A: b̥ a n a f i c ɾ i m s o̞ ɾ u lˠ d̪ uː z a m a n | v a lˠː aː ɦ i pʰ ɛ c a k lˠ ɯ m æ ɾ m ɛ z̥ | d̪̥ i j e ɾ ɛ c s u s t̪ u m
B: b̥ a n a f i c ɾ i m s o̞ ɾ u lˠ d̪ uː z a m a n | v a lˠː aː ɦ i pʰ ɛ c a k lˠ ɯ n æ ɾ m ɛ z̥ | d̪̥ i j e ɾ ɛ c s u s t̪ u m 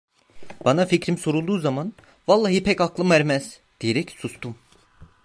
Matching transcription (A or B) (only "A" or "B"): A